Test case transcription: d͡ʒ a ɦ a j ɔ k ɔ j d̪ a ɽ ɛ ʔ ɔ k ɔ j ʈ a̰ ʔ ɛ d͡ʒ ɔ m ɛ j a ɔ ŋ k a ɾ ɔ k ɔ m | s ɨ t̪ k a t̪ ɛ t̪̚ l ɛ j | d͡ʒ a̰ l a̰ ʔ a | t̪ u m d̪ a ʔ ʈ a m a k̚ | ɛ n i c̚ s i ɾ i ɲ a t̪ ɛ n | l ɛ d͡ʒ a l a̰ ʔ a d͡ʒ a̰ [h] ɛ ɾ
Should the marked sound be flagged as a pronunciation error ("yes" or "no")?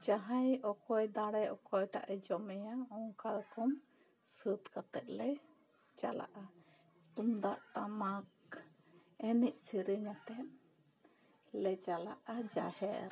no